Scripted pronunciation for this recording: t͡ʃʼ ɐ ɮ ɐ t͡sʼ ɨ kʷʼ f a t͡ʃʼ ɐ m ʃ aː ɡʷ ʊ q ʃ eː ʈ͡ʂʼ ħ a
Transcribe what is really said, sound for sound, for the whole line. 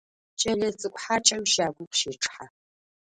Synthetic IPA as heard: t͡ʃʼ ɐ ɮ ɐ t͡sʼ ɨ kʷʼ ħ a t͡ʃʼ ɐ m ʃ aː ɡʷ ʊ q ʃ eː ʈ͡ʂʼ ħ a